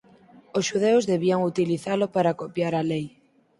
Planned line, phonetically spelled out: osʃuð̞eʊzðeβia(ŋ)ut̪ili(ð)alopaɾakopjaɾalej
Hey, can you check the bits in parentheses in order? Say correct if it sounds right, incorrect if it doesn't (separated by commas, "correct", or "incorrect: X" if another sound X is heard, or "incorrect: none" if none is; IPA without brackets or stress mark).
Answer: correct, incorrect: θ